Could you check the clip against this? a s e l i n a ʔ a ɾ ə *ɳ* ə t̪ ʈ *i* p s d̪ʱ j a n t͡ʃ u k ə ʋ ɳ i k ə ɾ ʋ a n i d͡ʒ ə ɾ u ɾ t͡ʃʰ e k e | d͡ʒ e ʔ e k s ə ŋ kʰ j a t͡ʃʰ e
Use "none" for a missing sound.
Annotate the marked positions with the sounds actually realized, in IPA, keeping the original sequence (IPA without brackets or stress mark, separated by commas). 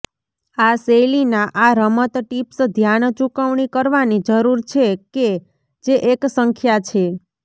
m, i